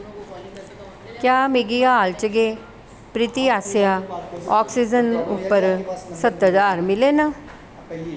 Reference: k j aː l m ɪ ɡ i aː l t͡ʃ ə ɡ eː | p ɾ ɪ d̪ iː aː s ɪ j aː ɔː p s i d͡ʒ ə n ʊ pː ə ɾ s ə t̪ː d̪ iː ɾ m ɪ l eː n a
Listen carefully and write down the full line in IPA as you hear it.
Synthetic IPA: k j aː m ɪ ɡ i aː l t͡ʃ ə ɡ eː | p ɾ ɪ t̪ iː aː s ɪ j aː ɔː k s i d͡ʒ ə n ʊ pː ə ɾ s ə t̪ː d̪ aː ɾ m ɪ l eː n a